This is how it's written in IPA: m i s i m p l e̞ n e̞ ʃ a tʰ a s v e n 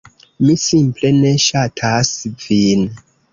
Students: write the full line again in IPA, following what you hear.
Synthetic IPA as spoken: m i s i m p l e̞ n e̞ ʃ a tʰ a s v i n